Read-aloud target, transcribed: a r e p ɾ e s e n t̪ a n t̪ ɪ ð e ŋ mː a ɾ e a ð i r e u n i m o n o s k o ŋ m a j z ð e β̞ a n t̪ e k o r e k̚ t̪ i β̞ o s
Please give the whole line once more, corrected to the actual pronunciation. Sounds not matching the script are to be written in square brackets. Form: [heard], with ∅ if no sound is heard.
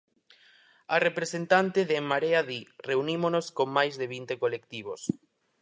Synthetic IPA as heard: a r e p ɾ e s e n t̪ a n t̪ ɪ ð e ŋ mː a ɾ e a ð i r e u n i m o n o s k o ŋ m a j z ð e β̞ [i] n t̪ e k o [l] e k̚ t̪ i β̞ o s

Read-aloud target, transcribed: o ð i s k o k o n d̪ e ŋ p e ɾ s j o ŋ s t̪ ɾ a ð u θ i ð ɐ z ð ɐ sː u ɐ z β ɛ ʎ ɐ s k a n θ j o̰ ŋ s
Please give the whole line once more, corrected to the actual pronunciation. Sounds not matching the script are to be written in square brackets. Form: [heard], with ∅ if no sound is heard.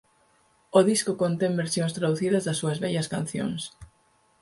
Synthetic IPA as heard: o ð i s k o k o n [t̪] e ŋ [b] e ɾ s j o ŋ s t̪ ɾ a ð u θ i ð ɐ z ð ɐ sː u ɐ z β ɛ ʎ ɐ s k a n θ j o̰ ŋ s

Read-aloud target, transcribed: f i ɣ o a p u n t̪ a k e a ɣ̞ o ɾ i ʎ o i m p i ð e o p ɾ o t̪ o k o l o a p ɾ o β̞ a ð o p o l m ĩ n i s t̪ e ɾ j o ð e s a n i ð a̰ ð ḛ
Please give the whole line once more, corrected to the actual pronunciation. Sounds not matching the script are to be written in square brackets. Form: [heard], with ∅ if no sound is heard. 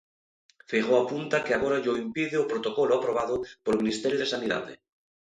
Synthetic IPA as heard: f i ɣ o a p u n t̪ a k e a ɣ̞ o ɾ [a] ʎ o i m p i ð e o p ɾ o t̪ o k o l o a p ɾ o β̞ a ð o p o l m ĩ n i s t̪ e ɾ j o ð e s a n i ð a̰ ð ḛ

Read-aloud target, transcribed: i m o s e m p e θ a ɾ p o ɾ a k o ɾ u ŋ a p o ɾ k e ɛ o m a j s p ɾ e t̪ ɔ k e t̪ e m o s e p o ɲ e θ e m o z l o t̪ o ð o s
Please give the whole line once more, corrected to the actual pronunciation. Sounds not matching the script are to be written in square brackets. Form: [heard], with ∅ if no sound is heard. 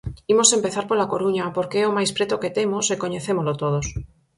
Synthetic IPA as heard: i m o s e m p e θ a ɾ p o [l] a k o ɾ u [ɲ] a p o ɾ k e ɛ o m a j s p ɾ e t̪ [o] k e t̪ e m o s e [k] o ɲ e θ e m o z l o t̪ o ð o s

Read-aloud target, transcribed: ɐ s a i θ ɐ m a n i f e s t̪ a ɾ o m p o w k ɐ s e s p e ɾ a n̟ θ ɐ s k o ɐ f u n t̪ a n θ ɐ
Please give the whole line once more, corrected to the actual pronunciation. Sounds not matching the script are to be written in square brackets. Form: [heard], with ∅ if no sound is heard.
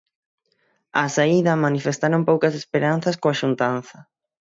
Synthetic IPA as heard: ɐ s a i [ð] ɐ m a n i f e s t̪ a ɾ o m p o w k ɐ s e s p e ɾ a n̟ θ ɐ s k o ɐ [ʃ] u n t̪ a n θ ɐ

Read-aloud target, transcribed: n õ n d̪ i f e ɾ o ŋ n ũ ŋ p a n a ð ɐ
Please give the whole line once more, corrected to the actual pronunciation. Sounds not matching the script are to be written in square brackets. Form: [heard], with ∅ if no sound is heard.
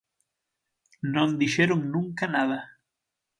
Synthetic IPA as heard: n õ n d̪ i [ʃ] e ɾ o ŋ n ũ ŋ [k] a n a ð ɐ

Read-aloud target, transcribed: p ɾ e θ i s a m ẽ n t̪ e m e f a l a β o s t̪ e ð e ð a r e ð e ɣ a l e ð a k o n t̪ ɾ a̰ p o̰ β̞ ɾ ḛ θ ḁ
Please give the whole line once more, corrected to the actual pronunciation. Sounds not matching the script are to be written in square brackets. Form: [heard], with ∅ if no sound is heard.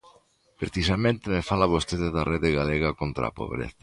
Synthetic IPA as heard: p ɾ e θ i s a m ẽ n t̪ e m e f a l a β o s t̪ e ð e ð a r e ð e ɣ a l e [ɣ] a k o n t̪ ɾ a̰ p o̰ β̞ ɾ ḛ θ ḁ

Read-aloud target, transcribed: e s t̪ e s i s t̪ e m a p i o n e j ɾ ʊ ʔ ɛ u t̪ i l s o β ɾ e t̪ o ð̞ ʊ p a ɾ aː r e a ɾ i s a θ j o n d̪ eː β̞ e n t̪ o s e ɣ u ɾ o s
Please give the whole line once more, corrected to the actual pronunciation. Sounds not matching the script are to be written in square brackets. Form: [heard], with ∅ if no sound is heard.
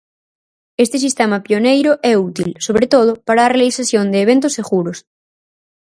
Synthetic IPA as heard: e s t̪ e s i s t̪ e m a p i o n e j ɾ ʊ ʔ ɛ u t̪ i l s o β ɾ e t̪ o ð̞ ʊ p a ɾ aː r e a [l] i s a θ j o n d̪ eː β̞ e n t̪ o s e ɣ u ɾ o s

